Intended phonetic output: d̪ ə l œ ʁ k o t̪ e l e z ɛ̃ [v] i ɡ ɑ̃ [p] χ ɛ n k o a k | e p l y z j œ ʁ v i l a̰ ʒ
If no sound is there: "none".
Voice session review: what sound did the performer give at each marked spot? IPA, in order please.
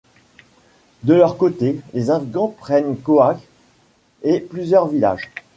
v, p

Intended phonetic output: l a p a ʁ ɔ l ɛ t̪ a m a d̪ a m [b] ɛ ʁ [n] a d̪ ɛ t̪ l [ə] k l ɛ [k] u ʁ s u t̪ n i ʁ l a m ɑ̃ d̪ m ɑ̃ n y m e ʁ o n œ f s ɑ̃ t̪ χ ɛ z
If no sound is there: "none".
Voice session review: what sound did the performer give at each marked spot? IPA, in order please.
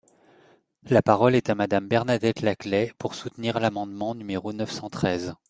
b, n, a, p

